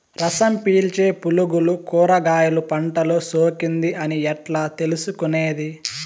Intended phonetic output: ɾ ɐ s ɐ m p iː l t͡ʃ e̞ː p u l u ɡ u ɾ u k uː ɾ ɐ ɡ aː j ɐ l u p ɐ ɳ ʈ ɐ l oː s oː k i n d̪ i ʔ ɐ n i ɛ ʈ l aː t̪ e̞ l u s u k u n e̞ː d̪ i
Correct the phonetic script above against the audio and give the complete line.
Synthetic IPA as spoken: ɾ ɐ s ɐ m p iː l t͡ʃ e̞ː p u l u ɡ u l u k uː ɾ ɐ ɡ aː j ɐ l u p ɐ ɳ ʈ ɐ l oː s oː k i n d̪ i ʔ ɐ n i ɛ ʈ l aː t̪ e̞ l u s u k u n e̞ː d̪ i